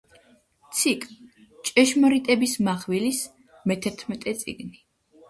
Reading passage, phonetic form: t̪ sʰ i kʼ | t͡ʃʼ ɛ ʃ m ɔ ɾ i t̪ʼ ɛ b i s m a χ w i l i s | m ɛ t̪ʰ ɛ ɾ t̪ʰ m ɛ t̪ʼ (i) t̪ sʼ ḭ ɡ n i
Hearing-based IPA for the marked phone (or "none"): ɛ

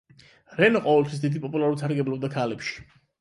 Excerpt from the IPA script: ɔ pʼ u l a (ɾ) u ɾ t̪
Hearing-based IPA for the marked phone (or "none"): ɾ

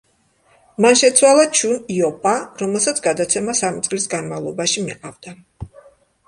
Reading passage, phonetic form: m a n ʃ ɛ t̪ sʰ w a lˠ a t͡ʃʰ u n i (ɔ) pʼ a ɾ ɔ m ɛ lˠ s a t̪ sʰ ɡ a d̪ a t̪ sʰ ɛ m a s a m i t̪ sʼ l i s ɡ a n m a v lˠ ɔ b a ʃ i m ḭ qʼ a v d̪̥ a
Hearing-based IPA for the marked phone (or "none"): ɔ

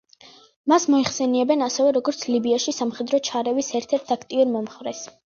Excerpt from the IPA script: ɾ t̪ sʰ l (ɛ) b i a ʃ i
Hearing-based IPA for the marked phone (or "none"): i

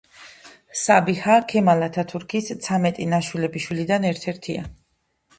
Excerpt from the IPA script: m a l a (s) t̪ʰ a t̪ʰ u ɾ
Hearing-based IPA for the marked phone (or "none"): none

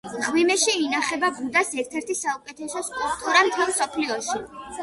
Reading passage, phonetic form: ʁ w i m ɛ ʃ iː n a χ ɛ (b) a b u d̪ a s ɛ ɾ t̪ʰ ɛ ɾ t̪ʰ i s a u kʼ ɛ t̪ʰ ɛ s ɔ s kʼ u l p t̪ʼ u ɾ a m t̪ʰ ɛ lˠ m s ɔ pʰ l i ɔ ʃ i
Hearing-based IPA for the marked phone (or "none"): b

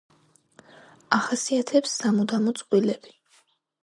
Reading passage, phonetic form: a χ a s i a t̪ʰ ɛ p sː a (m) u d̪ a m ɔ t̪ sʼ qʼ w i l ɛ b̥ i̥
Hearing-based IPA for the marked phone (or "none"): m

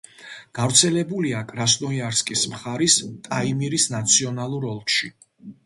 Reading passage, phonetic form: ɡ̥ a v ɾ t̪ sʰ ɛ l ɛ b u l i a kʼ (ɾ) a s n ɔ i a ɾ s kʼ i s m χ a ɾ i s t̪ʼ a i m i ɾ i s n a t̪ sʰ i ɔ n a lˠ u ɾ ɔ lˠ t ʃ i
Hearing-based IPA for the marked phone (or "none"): ɾ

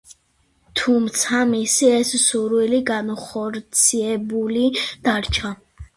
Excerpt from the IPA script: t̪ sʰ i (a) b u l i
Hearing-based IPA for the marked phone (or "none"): ɛ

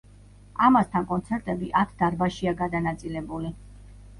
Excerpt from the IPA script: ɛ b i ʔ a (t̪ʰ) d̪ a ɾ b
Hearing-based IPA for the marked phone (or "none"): t̪ʰ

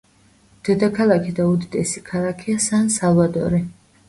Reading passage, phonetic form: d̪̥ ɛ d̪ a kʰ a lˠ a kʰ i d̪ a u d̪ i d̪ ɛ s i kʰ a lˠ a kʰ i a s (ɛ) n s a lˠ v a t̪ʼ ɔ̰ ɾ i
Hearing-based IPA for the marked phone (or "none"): a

